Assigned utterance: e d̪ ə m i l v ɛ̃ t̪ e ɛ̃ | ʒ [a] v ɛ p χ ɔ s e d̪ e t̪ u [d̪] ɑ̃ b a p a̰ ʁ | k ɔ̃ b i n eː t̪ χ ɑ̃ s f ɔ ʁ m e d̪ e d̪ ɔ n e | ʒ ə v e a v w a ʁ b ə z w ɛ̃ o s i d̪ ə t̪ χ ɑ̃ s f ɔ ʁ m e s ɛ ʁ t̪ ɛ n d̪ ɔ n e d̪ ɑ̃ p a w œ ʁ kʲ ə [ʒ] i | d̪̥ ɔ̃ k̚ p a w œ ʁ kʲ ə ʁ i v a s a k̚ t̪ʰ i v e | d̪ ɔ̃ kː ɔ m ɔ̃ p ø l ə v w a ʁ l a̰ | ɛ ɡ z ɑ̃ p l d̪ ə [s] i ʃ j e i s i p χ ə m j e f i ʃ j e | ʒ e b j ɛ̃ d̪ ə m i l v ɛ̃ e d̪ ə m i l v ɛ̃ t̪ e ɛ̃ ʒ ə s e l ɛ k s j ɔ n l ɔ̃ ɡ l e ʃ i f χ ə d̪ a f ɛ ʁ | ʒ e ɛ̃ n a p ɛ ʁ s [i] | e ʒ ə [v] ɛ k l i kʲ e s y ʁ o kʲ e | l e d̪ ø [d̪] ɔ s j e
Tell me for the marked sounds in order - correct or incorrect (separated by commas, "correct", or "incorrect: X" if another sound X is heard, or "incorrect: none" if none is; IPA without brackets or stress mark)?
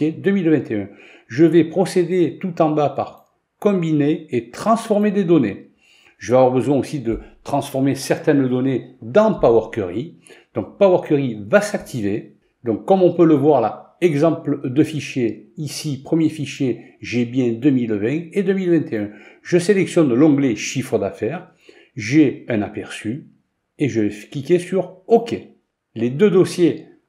incorrect: ə, incorrect: t̪, incorrect: ʁ, incorrect: f, incorrect: y, correct, correct